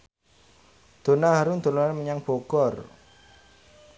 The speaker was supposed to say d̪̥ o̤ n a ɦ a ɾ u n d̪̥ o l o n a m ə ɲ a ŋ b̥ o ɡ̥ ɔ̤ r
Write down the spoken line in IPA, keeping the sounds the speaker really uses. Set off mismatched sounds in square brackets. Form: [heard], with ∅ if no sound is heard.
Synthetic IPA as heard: d̪̥ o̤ n a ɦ a ɾ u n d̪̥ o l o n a m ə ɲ a ŋ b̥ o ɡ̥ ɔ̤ r